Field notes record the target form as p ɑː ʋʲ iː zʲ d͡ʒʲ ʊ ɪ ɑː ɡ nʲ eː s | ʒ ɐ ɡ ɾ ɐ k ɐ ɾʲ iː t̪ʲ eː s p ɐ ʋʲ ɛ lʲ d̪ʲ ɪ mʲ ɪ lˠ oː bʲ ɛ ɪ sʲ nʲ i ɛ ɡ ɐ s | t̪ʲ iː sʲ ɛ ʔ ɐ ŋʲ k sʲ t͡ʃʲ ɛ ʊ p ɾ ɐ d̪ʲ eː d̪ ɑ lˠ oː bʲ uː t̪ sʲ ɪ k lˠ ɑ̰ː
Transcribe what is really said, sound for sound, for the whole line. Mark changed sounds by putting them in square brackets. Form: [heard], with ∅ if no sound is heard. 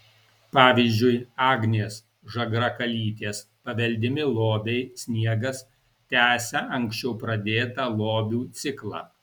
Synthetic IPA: p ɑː ʋʲ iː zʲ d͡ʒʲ ʊ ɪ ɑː ɡ nʲ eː s | ʒ ɐ ɡ ɾ ɐ k ɐ [lʲ] iː t̪ʲ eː s p ɐ ʋʲ ɛ lʲ d̪ʲ ɪ mʲ ɪ lˠ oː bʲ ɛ ɪ sʲ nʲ i ɛ ɡ ɐ s | t̪ʲ [æː] sʲ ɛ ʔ ɐ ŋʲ k sʲ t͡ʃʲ ɛ ʊ p ɾ ɐ d̪ʲ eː [t̪] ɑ lˠ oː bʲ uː t̪ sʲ ɪ k lˠ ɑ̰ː